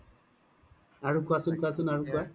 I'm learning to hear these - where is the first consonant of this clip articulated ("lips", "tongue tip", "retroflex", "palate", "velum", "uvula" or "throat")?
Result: tongue tip